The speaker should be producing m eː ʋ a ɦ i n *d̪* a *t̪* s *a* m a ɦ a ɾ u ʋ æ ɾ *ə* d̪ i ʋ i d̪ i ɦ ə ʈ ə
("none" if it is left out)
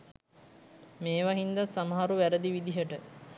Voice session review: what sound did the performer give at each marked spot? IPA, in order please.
d̪, t̪, a, ə

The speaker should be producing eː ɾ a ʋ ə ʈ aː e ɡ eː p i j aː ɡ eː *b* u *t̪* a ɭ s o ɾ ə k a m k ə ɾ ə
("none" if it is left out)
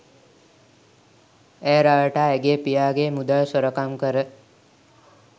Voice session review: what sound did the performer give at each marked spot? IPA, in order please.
m, d̪

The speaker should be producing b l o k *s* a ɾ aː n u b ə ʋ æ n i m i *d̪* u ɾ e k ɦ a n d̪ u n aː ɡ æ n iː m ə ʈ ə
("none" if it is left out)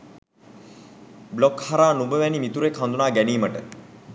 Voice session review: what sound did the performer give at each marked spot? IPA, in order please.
h, t̪

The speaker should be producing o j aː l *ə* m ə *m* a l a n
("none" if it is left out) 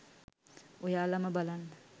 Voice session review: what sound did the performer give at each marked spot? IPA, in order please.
a, b

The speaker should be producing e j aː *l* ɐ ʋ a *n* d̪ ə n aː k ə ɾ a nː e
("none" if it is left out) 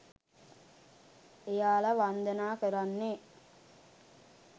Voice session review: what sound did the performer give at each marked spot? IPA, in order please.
l, n

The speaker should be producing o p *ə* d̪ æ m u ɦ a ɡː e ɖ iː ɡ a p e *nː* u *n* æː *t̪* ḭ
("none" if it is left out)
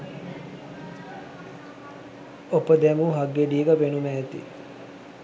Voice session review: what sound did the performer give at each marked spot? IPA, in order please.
ə, n, m, t̪

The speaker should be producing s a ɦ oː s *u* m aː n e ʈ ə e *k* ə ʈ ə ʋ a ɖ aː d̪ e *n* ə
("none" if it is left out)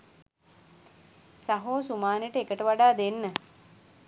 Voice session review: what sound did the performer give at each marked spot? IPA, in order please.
u, k, nː

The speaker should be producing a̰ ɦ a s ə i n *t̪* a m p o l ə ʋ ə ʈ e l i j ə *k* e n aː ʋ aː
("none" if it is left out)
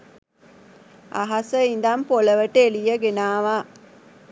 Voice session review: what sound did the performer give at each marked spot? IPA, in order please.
d̪, ɡ

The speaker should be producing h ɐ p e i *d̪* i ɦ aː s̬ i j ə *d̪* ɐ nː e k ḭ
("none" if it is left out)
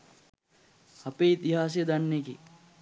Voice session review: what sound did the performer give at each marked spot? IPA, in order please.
t̪, d̪

